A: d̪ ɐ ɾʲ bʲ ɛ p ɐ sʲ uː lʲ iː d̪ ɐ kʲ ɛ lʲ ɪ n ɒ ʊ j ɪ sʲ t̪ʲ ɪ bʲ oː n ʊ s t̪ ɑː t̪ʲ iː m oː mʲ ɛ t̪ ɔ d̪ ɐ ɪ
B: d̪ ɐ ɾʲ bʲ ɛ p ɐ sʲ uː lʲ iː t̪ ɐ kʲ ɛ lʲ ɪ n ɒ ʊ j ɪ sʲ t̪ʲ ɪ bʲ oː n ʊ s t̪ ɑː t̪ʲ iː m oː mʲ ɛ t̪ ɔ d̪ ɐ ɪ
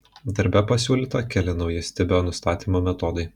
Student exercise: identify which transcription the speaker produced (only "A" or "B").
B